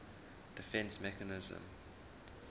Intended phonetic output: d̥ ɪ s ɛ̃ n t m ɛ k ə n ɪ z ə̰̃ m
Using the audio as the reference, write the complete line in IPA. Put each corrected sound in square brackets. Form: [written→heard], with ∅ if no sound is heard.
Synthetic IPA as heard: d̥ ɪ [s→f] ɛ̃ n [t→s] m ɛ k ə n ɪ z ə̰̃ m